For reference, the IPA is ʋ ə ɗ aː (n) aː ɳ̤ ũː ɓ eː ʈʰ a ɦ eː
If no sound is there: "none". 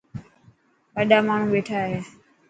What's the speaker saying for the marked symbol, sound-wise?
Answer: m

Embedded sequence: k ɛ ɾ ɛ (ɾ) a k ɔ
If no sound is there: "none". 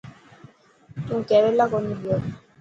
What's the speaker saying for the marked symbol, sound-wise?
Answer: l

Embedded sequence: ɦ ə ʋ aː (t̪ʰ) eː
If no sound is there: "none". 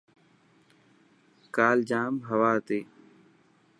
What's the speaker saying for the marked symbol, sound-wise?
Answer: t̪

